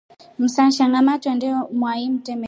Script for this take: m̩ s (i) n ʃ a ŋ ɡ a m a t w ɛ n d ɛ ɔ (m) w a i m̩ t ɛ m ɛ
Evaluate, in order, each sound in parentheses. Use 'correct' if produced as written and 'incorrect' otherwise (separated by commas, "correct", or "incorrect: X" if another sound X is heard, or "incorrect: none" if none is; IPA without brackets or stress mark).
incorrect: a, correct